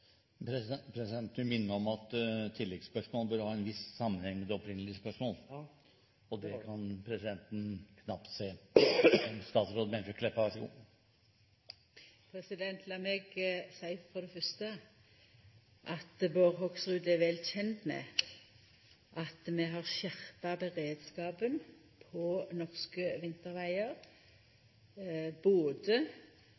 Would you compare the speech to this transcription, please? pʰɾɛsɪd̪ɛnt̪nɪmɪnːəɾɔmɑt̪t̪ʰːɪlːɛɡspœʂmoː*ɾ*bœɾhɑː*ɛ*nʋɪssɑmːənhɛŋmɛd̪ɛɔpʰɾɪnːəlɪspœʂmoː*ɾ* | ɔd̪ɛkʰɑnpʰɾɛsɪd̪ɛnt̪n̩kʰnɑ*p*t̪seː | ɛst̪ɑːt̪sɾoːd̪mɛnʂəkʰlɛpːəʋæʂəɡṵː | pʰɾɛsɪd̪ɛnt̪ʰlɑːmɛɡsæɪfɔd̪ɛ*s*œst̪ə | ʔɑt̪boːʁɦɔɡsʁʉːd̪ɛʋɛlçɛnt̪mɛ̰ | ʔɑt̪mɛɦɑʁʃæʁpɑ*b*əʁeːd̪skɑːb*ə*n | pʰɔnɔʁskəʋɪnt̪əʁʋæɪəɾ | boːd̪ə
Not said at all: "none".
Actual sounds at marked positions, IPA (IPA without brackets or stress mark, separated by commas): l, ɛ, l, p, f, b, ə